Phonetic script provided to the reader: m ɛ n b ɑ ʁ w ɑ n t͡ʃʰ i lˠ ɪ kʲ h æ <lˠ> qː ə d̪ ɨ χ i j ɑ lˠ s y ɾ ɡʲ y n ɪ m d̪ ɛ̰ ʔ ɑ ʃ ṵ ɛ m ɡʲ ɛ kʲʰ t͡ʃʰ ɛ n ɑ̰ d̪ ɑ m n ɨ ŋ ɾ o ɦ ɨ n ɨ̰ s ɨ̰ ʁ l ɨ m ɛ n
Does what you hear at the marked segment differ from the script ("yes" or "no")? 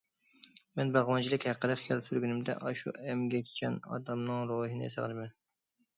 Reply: yes